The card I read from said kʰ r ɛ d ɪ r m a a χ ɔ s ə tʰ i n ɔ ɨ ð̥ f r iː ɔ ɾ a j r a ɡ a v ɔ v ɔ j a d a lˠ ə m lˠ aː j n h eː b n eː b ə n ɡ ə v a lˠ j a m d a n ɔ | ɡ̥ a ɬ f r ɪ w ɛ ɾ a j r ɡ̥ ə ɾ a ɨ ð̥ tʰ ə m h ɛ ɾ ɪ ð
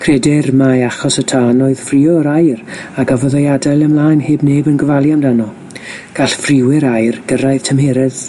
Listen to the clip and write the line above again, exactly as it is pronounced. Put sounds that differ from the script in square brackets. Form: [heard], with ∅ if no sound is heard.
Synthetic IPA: kʰ r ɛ d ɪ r m a a χ ɔ s ə tʰ [a] n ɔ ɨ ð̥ f r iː ɔ ɾ a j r a ɡ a v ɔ [ð] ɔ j a d a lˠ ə m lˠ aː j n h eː b n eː b ə n ɡ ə v a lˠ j a m d a n ɔ | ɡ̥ a ɬ f r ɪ w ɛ ɾ a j r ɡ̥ ə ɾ a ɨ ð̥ tʰ ə m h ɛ ɾ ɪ ð